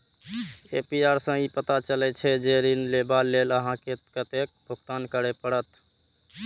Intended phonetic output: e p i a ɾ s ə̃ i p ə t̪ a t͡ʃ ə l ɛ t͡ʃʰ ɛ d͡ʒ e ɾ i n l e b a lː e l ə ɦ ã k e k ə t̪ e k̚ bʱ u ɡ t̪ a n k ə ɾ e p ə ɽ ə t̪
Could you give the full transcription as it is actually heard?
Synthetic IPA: e p i a ɾ s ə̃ i p ə t̪ a t͡ʃ ə l ɛ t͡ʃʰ ɛ d͡ʒ e ɾ i n l e b a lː e l ə ɦ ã k e k ə t̪ e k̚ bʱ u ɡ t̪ a n k ə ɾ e p ə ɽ ə t̪